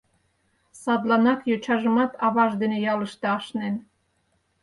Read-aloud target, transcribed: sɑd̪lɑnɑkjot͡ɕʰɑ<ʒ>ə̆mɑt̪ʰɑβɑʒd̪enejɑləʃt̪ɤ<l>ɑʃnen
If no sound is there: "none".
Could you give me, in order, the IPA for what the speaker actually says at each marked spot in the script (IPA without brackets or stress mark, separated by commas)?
ʒ, none